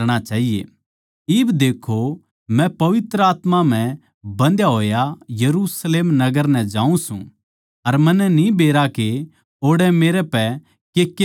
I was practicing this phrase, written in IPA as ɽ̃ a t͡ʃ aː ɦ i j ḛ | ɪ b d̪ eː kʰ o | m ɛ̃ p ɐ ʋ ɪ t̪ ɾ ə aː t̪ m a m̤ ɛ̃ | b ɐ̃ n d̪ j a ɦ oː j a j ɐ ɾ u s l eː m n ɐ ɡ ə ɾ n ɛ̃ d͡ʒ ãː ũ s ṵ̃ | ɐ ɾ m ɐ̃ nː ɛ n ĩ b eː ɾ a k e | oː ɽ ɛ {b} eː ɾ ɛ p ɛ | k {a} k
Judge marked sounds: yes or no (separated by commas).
no, no